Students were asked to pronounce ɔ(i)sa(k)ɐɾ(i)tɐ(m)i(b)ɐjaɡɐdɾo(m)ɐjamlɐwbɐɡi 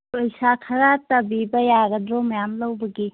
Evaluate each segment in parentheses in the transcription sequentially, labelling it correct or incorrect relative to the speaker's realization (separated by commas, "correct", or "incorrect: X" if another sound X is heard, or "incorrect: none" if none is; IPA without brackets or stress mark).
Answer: incorrect: j, incorrect: kʰ, incorrect: a, incorrect: b, correct, correct